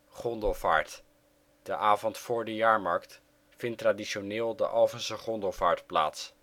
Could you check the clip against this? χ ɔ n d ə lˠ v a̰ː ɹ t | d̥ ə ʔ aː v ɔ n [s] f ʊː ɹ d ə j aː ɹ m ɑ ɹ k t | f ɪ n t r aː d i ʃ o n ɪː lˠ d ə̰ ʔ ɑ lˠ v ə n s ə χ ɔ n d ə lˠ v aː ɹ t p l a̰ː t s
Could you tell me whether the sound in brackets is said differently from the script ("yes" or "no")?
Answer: yes